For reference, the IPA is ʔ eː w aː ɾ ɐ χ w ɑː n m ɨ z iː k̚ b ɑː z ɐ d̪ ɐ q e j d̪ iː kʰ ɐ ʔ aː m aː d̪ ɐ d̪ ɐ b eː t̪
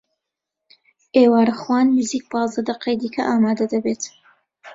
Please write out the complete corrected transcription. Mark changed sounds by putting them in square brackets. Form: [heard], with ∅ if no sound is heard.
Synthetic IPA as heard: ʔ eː w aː ɾ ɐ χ w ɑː n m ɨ z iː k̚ b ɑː z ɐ d̪ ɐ q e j d̪ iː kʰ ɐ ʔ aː m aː d̪ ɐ d̪ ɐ b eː t̪